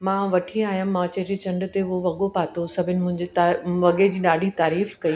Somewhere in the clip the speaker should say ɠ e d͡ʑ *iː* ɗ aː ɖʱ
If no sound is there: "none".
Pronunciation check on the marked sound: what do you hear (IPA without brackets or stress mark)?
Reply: iː